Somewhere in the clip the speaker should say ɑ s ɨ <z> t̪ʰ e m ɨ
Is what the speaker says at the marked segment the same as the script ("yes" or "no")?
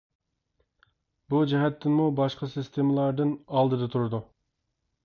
no